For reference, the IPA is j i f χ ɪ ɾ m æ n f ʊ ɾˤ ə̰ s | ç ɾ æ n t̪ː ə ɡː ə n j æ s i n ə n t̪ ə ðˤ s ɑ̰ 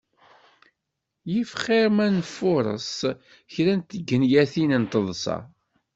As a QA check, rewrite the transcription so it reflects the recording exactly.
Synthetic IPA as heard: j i f χ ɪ ɾ m æ n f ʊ ɾˤ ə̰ s | ç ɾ æ n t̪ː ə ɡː ə n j æ θ i n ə n t̪ ə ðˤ s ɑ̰